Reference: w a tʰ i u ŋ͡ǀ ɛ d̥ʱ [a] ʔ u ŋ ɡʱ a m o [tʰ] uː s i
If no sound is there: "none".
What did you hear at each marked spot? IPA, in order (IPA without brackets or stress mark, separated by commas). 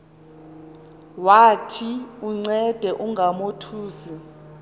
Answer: ɛ, tʰ